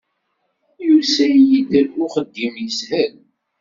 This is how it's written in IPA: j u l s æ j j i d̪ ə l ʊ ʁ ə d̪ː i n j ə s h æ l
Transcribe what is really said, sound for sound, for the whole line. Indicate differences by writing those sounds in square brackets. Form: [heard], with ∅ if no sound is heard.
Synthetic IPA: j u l s æ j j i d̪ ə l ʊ [χ] ə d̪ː i [m] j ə s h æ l